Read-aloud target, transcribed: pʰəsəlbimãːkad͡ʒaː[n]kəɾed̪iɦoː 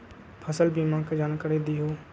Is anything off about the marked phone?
no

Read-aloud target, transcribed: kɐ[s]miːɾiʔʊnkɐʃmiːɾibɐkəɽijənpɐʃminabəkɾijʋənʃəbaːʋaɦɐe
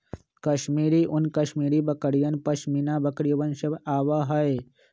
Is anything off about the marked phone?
yes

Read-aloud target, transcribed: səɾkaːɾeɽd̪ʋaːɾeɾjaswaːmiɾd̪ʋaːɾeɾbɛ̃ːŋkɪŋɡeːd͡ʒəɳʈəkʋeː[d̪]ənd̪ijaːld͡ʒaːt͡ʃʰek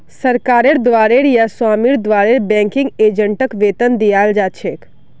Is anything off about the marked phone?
yes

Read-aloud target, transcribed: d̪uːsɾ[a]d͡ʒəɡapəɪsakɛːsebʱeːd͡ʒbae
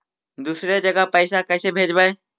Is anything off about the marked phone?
yes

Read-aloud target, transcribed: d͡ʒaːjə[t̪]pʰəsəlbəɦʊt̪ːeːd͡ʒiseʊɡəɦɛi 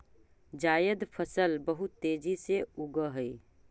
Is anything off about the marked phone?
yes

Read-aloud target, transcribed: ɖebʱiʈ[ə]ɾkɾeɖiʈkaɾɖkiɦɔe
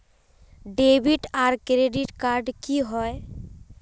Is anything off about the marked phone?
yes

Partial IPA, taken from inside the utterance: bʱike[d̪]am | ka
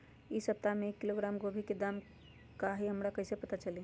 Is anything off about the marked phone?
no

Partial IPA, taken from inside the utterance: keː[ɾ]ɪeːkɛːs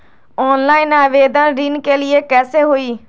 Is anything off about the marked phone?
yes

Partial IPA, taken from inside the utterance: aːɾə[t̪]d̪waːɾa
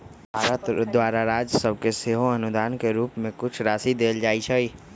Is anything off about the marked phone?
no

